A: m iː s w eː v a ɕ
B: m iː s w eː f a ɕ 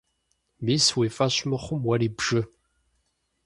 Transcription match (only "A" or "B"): B